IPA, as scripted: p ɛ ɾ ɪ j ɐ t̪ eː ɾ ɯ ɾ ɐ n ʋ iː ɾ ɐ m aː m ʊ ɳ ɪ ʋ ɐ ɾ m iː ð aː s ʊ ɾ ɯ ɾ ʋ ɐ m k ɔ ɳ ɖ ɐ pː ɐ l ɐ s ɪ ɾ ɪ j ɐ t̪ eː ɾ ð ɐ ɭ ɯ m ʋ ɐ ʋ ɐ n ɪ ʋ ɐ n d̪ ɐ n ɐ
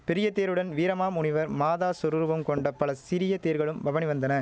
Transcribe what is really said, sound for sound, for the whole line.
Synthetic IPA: p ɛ ɾ ɪ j ɐ t̪ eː ɾ ɯ ɽ ɐ n ʋ iː ɾ ɐ m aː m ʊ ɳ ɪ ʋ ɐ ɾ m aː ð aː s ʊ ɾ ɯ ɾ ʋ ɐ m k ɔ ɳ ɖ ɐ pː ɐ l ɐ s ɪ ɾ ɪ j ɐ t̪ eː ɾ ɣ ɐ ɭ ɯ m ʋ ɐ ʋ ɐ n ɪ ʋ ɐ n d̪ ɐ n ɐ